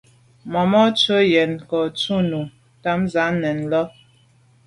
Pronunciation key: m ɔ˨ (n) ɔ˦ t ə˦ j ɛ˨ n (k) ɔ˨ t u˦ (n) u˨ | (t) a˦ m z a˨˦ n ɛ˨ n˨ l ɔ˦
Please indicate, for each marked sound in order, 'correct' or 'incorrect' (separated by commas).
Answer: incorrect, correct, correct, correct